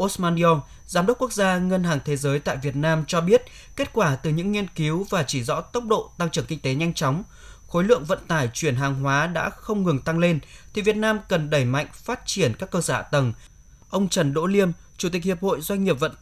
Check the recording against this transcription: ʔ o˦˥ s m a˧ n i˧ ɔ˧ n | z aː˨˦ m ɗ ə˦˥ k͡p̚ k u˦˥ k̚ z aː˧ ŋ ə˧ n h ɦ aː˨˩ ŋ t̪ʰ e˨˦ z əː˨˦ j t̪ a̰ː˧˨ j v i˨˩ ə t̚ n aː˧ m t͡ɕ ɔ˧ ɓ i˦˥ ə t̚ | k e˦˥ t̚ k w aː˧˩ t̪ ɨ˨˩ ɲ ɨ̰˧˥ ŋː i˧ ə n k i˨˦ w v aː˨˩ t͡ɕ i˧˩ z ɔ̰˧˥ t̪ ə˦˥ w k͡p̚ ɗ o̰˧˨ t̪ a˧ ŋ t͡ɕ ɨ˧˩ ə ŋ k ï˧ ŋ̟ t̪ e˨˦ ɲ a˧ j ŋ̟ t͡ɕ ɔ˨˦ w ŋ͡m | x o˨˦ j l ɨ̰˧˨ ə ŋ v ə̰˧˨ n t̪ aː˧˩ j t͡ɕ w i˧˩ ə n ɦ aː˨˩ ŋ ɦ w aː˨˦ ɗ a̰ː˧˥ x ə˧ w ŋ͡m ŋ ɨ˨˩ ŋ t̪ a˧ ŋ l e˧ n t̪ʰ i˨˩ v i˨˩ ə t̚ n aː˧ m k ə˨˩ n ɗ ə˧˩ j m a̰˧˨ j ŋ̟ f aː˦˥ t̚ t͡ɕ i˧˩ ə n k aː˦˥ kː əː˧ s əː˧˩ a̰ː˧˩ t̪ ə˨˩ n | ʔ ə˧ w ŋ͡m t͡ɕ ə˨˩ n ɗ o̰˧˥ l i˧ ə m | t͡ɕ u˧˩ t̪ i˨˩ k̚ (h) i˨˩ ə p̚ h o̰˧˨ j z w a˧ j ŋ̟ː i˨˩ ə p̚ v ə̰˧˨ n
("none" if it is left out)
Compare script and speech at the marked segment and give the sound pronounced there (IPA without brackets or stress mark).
h